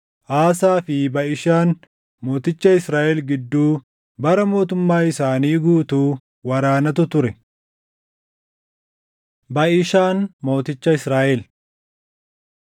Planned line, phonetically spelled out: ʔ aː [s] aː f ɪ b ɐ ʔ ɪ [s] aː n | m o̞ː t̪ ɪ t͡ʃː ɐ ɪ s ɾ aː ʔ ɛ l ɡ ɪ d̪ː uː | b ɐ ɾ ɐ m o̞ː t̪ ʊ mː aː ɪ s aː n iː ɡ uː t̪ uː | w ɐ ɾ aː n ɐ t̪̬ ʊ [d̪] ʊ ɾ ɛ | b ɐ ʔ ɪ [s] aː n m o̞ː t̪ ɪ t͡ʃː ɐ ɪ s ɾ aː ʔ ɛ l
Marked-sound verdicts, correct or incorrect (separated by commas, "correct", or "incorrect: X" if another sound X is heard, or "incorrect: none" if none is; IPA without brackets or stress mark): correct, incorrect: ʃ, incorrect: t̪, incorrect: ʃ